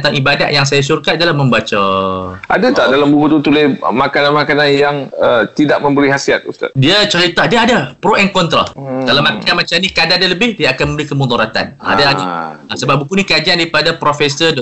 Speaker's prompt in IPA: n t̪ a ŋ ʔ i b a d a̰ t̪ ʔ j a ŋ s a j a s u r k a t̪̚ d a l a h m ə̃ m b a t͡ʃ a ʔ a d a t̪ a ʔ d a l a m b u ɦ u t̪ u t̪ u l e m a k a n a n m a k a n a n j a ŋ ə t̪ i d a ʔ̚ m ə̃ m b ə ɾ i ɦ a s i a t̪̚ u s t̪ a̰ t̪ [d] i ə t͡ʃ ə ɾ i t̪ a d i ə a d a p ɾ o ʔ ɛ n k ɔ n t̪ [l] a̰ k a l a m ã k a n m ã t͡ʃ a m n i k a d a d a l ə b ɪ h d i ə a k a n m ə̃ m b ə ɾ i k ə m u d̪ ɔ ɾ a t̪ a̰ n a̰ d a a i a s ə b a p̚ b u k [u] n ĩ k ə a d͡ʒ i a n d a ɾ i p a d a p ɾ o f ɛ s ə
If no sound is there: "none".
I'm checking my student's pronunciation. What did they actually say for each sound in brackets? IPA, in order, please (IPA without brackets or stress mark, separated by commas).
d, ɾ, u